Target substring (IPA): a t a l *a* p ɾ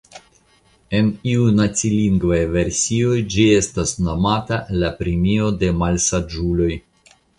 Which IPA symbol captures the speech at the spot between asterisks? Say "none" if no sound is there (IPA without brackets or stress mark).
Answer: a